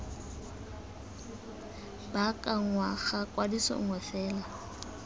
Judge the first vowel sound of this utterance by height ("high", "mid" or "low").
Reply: low